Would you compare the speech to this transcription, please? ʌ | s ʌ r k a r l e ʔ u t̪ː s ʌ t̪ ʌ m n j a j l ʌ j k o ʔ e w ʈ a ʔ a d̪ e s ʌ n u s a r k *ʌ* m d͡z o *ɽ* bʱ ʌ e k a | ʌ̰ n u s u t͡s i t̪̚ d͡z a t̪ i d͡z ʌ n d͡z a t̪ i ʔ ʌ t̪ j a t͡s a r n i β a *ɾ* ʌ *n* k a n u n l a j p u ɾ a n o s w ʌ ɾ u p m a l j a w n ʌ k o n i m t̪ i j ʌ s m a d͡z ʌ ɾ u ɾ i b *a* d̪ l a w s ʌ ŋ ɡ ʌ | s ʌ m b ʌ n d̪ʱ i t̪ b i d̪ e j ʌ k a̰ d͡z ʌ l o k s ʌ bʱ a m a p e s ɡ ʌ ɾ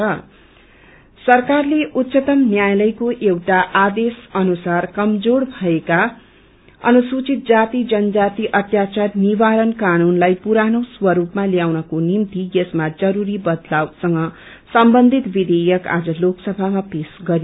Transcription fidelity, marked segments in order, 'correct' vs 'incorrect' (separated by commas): correct, correct, correct, correct, incorrect